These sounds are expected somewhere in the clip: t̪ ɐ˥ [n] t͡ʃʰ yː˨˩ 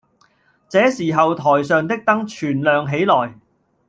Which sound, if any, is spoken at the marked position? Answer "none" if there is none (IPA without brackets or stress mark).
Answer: ŋ